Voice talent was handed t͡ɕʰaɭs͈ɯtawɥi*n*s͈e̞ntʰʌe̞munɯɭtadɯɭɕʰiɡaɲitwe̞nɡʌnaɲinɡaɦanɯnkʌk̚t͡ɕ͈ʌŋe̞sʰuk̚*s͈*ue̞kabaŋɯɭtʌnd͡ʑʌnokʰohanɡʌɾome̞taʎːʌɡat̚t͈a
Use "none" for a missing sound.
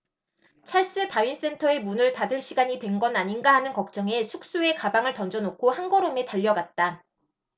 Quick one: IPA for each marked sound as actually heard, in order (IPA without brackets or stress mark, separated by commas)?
n, s͈